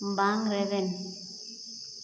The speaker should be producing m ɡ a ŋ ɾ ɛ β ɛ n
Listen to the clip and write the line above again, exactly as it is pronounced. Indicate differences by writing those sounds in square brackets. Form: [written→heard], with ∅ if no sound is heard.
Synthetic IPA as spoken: m [ɡ→b] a ŋ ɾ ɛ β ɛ n